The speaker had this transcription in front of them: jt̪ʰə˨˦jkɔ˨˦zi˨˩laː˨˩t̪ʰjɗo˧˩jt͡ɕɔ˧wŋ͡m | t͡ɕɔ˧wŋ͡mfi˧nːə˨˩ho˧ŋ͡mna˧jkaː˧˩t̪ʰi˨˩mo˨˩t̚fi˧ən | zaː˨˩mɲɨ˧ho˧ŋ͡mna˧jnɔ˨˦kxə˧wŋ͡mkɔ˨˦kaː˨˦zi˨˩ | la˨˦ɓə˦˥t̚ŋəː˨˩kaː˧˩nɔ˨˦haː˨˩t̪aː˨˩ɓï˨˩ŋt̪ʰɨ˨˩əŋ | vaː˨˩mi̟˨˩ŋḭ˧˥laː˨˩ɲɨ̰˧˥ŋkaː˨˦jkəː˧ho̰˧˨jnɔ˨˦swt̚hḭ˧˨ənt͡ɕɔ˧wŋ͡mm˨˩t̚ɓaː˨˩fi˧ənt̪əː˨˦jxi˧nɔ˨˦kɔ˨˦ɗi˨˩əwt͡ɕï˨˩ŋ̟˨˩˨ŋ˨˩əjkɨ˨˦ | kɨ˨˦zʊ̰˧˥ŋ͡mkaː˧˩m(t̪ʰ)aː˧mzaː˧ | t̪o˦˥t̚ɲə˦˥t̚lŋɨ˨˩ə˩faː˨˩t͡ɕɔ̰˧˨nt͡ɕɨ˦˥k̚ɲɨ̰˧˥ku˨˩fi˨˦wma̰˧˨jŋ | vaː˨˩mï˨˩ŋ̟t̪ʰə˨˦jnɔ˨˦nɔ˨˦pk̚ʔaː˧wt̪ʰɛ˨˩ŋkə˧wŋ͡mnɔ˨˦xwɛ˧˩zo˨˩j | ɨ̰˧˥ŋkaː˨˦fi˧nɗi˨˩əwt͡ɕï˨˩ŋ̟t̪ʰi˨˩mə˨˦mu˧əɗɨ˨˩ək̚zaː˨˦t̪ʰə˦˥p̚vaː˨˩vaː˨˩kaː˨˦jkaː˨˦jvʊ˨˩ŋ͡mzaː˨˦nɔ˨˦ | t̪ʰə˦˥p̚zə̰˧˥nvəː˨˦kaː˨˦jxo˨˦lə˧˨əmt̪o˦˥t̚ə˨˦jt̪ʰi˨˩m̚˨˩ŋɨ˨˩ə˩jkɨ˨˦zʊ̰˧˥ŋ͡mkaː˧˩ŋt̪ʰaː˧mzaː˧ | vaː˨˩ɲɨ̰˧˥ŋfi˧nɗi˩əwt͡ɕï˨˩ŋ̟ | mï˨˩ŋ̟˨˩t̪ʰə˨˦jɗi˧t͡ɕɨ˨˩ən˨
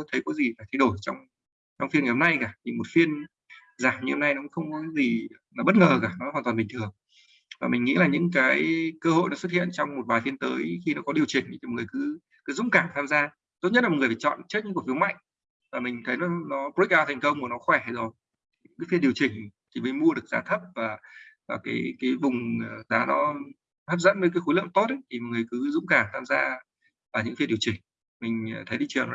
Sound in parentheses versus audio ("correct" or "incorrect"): correct